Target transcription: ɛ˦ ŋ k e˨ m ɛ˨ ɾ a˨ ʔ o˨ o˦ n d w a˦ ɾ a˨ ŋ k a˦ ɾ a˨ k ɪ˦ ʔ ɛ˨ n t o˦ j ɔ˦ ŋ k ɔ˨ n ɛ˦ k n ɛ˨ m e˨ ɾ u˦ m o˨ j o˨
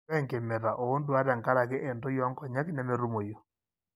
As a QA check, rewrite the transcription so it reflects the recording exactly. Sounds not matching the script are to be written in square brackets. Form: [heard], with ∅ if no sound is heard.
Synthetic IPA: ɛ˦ ŋ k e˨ m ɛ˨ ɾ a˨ ʔ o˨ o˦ n d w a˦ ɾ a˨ ŋ k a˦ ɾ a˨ k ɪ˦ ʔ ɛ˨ n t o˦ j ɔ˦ ŋ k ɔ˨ [ɲ] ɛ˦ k n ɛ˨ m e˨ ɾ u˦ m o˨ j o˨

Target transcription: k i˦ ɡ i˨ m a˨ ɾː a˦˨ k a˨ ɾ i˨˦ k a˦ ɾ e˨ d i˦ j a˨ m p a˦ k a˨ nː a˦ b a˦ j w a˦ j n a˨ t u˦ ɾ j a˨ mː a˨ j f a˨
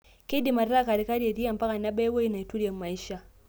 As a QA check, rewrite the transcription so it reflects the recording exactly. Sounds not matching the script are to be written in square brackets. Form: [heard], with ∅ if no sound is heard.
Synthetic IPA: k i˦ [d] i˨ m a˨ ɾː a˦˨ k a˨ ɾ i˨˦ k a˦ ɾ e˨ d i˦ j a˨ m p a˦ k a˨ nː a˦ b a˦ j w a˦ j n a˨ t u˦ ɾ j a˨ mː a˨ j [ʃ] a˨

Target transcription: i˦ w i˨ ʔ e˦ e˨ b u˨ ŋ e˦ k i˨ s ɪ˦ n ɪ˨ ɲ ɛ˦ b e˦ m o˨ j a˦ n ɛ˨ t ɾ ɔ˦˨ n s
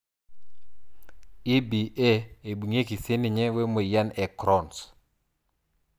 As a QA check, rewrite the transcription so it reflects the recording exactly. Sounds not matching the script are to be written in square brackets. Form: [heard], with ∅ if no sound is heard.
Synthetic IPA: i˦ [b] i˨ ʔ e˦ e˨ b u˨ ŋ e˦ k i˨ s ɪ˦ n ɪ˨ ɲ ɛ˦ [w] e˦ m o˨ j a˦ n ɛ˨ [k] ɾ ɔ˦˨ n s

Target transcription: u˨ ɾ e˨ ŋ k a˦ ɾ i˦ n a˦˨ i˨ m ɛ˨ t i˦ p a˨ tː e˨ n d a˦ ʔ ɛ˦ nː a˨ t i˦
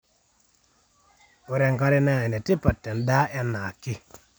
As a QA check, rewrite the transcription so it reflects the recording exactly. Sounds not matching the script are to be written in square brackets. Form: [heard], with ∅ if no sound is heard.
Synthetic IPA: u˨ ɾ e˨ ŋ k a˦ ɾ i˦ n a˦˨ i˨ [n] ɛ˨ t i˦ p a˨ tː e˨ n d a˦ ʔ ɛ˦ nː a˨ [k] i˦

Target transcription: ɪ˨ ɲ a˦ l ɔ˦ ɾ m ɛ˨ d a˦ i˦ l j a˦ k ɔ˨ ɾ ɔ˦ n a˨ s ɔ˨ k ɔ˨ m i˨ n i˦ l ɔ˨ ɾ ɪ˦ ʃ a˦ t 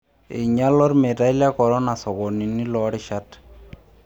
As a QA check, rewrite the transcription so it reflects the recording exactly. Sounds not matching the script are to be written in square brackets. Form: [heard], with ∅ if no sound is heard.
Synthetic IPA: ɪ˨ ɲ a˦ l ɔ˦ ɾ m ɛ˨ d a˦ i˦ l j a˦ k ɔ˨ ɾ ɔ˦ n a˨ s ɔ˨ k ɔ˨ [n] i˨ n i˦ l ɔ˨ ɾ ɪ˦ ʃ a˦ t

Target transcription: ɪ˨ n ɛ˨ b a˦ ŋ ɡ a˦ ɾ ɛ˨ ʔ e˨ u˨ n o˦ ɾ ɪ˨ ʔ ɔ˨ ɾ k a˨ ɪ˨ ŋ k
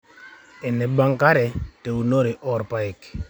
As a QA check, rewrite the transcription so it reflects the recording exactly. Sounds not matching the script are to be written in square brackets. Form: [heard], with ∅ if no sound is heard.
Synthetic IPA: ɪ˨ n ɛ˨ b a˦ ŋ [k] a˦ ɾ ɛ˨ [t] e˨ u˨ n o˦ ɾ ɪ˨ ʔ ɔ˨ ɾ [p] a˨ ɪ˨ [∅] k

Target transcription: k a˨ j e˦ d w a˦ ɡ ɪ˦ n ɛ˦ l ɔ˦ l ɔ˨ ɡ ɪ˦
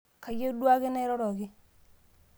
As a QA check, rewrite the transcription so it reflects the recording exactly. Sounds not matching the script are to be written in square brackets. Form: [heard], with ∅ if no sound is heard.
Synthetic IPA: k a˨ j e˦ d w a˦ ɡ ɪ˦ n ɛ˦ [ɾ] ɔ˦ [ɾ] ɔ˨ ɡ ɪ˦

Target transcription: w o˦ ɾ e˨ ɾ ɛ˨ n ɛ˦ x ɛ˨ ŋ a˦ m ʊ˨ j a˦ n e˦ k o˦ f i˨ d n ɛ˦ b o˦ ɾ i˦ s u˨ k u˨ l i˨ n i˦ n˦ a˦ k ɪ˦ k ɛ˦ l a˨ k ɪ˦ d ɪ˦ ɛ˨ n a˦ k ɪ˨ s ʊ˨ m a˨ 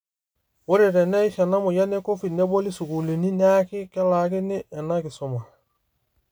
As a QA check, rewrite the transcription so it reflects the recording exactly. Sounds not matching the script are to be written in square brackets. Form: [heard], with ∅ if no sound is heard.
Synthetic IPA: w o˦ ɾ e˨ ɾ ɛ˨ n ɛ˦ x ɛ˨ [n] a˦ m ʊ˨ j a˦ n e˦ k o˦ f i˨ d n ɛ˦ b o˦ [l] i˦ s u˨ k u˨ l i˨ n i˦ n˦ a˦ k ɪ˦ k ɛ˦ l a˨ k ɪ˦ [n] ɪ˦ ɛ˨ n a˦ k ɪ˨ s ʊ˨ m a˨

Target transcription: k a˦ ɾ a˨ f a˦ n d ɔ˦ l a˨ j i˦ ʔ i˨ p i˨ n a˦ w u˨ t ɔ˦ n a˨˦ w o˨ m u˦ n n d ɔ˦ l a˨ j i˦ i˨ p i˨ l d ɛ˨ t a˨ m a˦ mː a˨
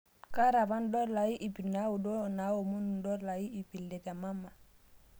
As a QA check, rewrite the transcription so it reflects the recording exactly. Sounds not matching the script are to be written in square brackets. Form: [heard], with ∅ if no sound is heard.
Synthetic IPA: k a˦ ɾ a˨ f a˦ n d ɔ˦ l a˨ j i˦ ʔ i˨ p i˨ n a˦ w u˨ [d] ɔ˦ n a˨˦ w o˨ m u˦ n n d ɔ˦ l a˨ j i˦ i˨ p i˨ l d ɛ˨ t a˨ m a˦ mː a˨

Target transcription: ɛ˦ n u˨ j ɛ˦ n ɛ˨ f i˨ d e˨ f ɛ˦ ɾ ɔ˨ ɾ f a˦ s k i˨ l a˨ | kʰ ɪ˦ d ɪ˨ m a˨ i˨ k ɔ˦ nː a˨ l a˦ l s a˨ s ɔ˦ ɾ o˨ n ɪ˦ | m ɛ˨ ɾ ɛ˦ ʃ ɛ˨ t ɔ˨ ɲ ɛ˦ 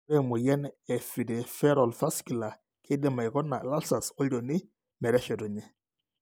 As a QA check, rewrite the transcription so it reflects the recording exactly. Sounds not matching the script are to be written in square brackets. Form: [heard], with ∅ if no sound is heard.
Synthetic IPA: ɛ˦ [m] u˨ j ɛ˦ n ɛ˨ f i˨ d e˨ f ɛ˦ ɾ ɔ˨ [l] f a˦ s k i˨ l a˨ | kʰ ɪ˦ d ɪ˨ m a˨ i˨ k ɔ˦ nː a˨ l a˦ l s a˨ s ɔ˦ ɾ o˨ n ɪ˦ | m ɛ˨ ɾ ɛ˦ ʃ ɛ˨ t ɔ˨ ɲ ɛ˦

